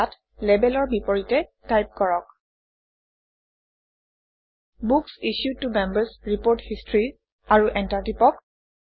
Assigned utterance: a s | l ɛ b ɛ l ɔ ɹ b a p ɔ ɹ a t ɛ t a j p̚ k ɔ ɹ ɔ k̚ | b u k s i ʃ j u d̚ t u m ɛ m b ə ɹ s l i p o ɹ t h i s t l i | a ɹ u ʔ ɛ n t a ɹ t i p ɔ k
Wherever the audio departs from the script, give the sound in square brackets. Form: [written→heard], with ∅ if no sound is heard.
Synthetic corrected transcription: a [s→t] | l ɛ b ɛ l ɔ ɹ b [a→i] p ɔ ɹ [a→i] t ɛ t a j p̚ k ɔ ɹ ɔ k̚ | b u k s i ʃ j u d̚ t u m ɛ m b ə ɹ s [l→ɹ] i p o ɹ t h i s t [l→ɹ] i | a ɹ u ʔ ɛ n t a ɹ t i p ɔ k

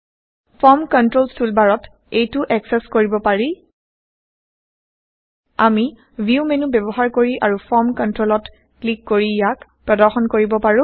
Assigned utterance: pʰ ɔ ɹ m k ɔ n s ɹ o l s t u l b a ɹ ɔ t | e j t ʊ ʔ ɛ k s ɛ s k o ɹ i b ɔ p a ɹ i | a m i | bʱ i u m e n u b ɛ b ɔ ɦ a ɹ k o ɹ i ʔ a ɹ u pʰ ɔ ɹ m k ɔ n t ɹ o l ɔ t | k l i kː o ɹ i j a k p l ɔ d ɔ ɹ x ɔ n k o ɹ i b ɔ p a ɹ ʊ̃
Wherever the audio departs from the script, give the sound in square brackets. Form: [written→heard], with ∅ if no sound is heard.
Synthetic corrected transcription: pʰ ɔ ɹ m k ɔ n [s→t] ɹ o l s t u l b a ɹ ɔ t | e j t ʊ ʔ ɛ k s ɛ s k o ɹ i b ɔ p a ɹ i | a m i | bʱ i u m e n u b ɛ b ɔ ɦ a ɹ k o ɹ i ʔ a ɹ u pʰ ɔ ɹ m k ɔ n t ɹ o l ɔ t | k l i kː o ɹ i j a k p [l→ɹ] ɔ d ɔ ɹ x ɔ n k o ɹ i b ɔ p a ɹ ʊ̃

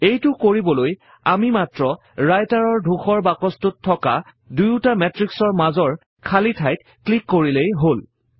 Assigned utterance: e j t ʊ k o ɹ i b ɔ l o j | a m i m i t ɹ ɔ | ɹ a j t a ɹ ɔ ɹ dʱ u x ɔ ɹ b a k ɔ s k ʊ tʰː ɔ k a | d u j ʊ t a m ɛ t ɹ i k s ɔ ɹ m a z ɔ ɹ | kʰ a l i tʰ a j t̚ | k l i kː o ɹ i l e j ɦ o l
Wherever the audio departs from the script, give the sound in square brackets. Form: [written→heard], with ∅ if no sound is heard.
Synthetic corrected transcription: e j t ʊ k o ɹ i b ɔ l o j | a m i m [i→a] t ɹ ɔ | ɹ a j t a ɹ ɔ ɹ dʱ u x ɔ ɹ b a k ɔ s [k→t] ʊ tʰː ɔ k a | d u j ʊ t a m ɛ t ɹ i k s ɔ ɹ m a z ɔ ɹ | kʰ a l i tʰ a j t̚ | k l i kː o ɹ i l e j ɦ o l

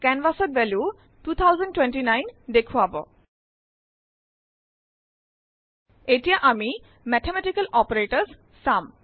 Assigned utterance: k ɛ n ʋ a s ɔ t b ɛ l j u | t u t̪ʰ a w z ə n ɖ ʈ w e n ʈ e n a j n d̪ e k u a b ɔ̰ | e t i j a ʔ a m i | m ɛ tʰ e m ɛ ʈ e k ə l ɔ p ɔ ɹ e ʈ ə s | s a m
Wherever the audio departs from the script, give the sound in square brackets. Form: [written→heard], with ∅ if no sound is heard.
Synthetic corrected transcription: k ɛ n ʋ a s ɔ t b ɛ l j u | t u t̪ʰ a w z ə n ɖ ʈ w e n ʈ [e→i] n a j n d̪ e [k→kʰ] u a b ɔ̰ | e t i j a ʔ a m i | m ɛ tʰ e m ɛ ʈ [e→i] k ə l ɔ p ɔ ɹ e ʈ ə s | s a m

